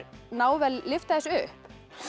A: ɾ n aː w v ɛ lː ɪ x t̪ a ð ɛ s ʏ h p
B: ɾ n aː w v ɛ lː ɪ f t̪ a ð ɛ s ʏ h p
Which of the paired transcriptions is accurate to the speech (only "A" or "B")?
B